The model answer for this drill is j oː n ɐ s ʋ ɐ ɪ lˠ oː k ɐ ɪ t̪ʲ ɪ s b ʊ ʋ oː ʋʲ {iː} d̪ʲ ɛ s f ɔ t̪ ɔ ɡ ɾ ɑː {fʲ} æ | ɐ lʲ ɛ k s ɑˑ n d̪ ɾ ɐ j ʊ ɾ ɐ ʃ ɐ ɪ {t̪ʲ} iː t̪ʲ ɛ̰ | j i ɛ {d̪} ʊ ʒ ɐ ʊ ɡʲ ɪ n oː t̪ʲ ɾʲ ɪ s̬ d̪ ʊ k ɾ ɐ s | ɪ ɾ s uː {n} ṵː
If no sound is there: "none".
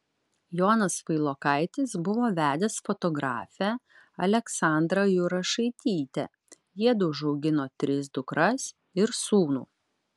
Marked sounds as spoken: æː, fʲ, t̪ʲ, d̪, n

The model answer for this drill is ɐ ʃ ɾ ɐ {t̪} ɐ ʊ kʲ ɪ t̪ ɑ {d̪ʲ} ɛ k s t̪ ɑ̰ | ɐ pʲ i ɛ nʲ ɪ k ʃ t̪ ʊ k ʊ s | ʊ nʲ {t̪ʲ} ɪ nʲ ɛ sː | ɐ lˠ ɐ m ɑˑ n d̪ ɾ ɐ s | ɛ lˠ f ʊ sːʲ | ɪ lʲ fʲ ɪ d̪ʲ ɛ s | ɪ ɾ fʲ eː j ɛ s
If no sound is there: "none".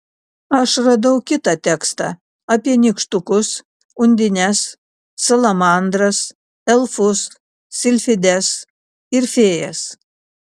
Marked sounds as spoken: d̪, t̪ʲ, d̪ʲ

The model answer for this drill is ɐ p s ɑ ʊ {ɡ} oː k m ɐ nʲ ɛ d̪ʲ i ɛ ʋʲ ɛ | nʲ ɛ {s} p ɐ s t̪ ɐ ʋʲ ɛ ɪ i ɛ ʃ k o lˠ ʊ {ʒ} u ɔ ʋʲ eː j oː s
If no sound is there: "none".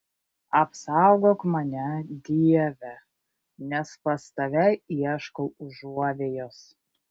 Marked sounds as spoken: ɡ, s, ʒ

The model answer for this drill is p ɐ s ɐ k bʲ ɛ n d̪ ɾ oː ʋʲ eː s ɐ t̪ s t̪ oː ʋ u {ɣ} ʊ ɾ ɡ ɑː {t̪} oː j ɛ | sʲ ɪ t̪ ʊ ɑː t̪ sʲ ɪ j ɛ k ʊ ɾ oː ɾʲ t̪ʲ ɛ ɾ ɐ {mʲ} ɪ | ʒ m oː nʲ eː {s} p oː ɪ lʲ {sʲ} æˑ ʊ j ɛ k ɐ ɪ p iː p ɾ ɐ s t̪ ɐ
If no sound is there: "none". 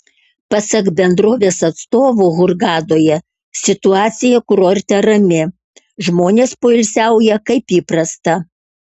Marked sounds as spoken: ɣ, d̪, mʲ, s, sʲ

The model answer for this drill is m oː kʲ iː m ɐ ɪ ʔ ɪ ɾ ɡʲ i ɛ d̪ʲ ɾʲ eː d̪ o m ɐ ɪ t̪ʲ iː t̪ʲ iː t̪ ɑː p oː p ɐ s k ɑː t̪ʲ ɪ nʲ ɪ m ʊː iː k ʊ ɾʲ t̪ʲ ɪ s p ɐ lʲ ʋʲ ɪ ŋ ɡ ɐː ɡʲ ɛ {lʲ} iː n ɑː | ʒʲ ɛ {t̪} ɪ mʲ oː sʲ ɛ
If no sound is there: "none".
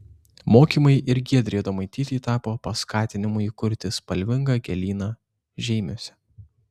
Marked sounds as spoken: lʲ, none

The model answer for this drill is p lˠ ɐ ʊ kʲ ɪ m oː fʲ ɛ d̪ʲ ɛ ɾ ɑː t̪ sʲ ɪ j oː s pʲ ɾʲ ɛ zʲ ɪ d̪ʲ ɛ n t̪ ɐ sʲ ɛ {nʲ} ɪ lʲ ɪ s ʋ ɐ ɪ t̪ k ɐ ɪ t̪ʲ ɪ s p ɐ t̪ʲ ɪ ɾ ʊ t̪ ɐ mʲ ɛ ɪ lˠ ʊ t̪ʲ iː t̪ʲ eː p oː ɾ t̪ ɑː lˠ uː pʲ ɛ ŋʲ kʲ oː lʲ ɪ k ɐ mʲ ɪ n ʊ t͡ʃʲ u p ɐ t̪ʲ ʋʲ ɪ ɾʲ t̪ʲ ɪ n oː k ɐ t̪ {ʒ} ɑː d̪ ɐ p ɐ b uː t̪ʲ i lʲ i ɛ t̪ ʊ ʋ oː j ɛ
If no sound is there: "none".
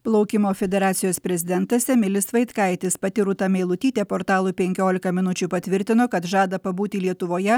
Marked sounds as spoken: mʲ, ʒ

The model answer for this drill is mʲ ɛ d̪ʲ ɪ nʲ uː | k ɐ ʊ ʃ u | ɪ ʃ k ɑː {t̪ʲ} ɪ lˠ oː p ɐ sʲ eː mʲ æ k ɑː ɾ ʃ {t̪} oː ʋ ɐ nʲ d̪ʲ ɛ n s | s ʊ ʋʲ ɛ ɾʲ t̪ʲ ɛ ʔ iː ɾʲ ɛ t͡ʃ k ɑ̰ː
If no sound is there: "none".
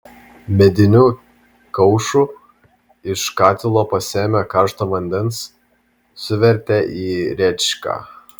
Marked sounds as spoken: t̪ʲ, t̪

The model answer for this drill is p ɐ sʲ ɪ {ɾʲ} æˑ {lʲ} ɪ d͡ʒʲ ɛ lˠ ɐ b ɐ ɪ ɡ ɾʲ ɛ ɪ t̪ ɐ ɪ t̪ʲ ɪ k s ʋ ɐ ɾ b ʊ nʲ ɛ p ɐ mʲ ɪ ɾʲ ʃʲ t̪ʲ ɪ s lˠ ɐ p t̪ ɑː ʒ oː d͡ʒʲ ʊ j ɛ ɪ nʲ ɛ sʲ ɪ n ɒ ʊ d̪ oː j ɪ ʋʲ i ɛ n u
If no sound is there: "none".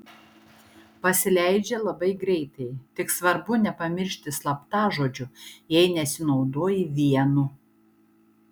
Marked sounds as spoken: lʲ, none

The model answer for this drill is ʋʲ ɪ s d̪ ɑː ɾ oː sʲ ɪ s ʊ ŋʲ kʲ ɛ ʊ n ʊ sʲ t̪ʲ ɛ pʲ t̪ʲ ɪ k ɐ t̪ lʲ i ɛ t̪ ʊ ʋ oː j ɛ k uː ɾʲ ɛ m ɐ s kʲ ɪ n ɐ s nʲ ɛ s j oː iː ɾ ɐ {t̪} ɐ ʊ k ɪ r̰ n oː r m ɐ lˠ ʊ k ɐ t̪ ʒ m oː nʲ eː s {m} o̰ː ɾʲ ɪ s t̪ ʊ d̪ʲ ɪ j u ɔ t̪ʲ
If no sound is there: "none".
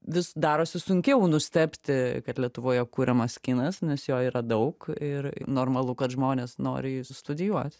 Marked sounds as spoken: d̪, n

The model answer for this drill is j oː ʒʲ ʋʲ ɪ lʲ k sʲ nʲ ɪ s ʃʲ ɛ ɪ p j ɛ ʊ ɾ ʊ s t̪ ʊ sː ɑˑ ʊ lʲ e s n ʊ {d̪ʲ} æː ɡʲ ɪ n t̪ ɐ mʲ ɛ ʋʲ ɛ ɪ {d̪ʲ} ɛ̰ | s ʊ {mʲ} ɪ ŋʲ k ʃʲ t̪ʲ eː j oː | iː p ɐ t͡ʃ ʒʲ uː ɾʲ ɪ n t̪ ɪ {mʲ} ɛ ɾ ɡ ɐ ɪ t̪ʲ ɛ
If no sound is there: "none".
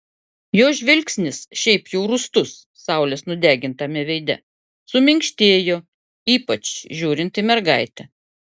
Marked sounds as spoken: d̪ʲ, d̪ʲ, mʲ, mʲ

